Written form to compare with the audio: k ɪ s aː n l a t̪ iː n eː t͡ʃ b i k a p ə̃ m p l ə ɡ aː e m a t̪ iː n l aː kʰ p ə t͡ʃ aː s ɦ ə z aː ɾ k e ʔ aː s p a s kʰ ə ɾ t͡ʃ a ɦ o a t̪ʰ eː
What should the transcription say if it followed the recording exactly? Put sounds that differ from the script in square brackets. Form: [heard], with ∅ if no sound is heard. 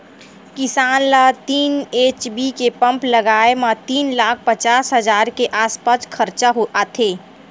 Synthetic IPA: k ɪ s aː n l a t̪ iː n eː t͡ʃ b i k [e] p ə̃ m p l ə ɡ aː e m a t̪ iː n l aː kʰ p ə t͡ʃ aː s ɦ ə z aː ɾ k e ʔ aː s p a s kʰ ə ɾ t͡ʃ a ɦ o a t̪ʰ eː